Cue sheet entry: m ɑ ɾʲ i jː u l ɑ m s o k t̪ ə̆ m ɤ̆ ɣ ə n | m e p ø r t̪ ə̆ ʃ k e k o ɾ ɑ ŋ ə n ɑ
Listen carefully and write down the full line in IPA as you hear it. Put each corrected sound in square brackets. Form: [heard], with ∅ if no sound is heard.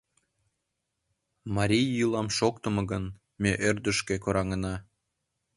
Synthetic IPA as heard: m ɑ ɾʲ i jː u l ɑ m [ʃ] o k t̪ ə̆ m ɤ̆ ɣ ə n | m e [ʔ] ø r [d̪] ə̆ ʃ k e k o ɾ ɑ ŋ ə n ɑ